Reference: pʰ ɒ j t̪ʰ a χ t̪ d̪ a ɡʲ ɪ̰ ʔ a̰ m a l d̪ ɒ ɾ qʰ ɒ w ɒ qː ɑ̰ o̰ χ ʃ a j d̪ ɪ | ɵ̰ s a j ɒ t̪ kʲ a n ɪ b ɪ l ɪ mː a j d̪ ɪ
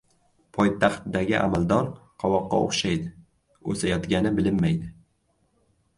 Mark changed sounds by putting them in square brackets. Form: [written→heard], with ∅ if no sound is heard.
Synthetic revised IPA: pʰ ɒ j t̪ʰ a χ t̪ d̪ a ɡʲ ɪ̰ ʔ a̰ m a l d̪ ɒ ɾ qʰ ɒ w ɒ qː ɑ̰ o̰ χ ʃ a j d̪ ɪ | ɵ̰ s a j ɒ t̪ [kʲ→ɡʲ] a n ɪ b ɪ l ɪ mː a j d̪ ɪ